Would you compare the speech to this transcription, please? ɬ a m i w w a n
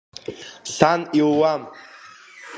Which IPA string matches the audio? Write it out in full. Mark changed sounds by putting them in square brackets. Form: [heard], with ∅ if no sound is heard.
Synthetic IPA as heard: ɬ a [n] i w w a [m]